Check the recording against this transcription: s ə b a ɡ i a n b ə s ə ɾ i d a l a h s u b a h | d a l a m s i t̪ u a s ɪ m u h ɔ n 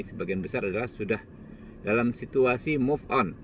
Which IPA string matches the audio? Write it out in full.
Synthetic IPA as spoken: s ə b a ɡ i a n b ə s a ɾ a d a l a h s u d a h | d a l a m s i t̪ u a s i m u f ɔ n